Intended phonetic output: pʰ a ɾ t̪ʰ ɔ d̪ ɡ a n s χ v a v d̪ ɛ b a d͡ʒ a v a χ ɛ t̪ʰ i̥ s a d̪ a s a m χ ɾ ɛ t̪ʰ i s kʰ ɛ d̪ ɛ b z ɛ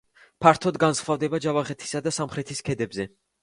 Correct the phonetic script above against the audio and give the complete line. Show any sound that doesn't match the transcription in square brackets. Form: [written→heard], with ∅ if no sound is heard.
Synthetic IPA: pʰ a ɾ t̪ʰ ɔ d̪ ɡ a n s χ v a v d̪ ɛ b a d͡ʒ a v a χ ɛ t̪ʰ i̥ s a d̪ a s a m χ ɾ ɛ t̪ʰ i s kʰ ɛ d̪ ɛ b z ɛ